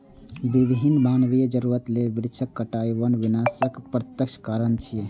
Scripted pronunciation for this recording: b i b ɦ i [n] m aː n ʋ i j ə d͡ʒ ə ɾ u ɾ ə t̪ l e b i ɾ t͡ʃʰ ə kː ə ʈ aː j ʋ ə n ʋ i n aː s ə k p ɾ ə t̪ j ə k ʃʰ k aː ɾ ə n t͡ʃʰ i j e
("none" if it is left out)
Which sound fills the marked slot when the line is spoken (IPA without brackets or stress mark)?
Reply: n